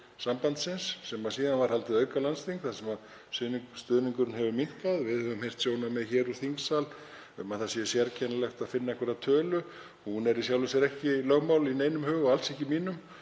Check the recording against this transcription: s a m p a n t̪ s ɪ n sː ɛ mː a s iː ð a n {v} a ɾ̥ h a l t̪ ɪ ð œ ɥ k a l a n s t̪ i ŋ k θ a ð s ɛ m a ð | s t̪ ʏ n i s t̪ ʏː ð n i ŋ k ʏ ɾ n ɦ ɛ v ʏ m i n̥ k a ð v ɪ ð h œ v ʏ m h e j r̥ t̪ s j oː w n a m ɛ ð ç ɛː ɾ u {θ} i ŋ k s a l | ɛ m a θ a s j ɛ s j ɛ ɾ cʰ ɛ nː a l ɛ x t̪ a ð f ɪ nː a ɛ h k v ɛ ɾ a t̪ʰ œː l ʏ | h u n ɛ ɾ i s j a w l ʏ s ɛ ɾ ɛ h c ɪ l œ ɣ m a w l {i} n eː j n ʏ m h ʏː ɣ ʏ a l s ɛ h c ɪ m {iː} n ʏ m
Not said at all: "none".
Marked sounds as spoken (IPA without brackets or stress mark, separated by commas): v, θ, i, iː